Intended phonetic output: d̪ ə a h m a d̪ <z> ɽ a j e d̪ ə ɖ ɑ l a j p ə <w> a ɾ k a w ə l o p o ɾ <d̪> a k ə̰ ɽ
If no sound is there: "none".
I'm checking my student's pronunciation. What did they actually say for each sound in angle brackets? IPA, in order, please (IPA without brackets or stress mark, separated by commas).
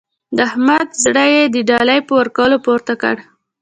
z, w, t̪